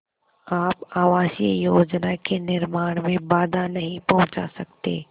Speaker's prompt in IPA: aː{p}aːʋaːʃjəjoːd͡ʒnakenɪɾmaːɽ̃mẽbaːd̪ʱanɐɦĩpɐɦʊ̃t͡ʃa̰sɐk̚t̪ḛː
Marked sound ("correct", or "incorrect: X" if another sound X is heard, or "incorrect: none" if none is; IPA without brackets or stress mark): correct